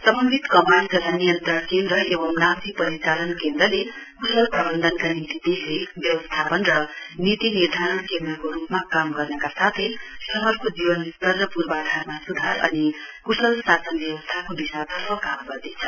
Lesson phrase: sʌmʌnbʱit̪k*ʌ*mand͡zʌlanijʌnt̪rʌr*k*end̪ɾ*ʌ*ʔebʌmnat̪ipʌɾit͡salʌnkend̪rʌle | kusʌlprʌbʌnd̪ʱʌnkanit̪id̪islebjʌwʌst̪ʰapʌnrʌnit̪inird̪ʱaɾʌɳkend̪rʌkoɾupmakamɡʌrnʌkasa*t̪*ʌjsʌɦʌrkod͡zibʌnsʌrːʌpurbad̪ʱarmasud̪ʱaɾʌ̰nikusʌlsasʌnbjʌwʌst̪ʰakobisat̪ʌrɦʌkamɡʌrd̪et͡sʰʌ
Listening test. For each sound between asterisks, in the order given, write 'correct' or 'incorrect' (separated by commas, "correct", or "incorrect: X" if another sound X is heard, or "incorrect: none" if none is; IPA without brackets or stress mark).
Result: correct, correct, correct, incorrect: t̪ʰ